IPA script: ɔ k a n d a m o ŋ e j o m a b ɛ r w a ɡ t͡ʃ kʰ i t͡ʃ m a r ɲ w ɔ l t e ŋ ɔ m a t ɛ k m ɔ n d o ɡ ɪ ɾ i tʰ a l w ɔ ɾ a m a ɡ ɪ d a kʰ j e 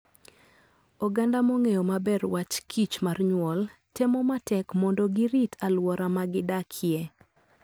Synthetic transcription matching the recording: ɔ ɡ a n d a m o ŋ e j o m a b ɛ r w a t͡ʃ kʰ i t͡ʃ m a r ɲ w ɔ l t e m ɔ m a t ɛ k m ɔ n d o ɡ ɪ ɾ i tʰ a l w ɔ ɾ a m a ɡ ɪ d a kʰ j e